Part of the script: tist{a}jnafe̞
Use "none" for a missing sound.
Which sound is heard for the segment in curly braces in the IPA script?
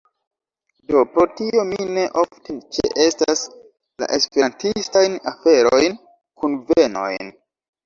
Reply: a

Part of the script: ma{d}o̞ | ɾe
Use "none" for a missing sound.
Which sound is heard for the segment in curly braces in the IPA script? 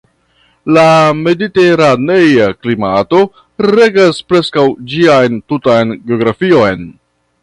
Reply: t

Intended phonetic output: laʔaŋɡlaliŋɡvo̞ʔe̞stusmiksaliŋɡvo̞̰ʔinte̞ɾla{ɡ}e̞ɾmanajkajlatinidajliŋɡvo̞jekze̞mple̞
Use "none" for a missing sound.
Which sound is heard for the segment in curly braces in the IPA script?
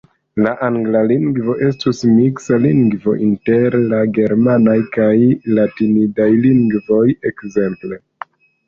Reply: ɡ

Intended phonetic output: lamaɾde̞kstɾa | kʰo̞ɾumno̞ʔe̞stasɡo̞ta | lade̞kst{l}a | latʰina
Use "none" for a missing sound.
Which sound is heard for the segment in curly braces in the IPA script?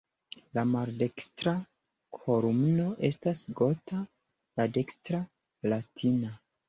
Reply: ɾ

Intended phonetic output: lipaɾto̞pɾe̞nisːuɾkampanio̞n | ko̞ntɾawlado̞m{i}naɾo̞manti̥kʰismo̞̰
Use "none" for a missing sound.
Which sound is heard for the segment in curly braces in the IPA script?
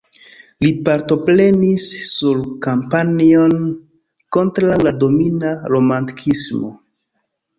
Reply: i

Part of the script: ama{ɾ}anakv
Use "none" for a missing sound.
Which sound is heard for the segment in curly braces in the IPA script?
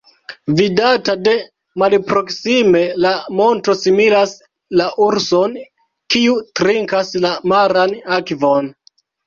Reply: ɾ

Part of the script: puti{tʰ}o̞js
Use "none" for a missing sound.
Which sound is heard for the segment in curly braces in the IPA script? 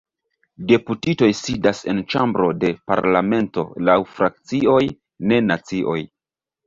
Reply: t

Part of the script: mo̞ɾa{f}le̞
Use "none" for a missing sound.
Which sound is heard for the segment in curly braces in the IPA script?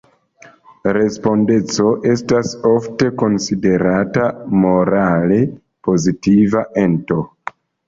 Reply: none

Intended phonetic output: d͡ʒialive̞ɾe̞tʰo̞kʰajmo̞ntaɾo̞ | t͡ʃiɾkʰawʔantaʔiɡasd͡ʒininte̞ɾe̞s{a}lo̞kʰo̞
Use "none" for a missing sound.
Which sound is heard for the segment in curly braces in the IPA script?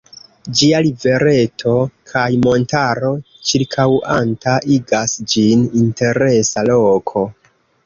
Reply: a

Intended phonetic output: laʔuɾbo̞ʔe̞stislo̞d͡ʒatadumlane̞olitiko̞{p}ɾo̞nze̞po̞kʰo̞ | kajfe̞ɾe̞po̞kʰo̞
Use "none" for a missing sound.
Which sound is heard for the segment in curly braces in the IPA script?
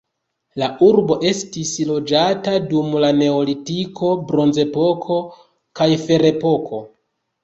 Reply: b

